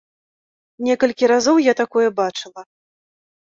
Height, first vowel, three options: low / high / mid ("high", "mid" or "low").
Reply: mid